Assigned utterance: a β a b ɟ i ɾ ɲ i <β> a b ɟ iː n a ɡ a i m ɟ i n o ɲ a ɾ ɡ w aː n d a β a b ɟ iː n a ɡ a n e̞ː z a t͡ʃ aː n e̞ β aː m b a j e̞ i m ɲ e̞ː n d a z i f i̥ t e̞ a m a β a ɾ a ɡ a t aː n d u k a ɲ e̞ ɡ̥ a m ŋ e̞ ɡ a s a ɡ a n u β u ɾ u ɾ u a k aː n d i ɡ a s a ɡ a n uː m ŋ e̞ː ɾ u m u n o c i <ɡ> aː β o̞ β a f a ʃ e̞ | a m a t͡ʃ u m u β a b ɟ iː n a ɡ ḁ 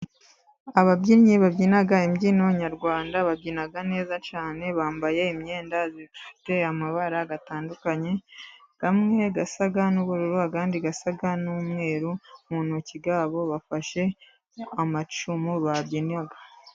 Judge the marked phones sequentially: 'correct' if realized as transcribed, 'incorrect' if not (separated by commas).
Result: correct, correct